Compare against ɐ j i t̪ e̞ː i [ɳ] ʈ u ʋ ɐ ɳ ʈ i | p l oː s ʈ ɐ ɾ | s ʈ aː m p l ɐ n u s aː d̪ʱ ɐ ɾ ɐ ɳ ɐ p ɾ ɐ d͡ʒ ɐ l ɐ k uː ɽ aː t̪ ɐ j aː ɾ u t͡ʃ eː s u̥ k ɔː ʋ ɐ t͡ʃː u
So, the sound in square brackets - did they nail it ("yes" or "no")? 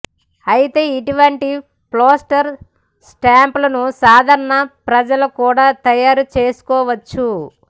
no